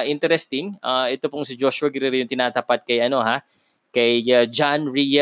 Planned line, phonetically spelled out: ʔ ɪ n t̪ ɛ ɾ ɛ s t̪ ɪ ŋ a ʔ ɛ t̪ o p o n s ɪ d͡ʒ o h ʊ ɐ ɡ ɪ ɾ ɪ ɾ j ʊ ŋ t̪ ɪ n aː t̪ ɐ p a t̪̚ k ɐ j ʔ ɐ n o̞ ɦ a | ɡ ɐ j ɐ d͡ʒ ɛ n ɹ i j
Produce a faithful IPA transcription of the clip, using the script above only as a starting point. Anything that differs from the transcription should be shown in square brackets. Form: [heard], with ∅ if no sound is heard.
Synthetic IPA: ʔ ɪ n t̪ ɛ ɾ ɛ s t̪ ɪ ŋ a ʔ ɛ t̪ o p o [ŋ] s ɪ d͡ʒ o [ʃ] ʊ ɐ ɡ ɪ ɾ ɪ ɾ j ʊ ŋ t̪ ɪ n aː t̪ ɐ p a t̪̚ k ɐ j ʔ ɐ n o̞ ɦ a | [k] ɐ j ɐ d͡ʒ [a] n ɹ i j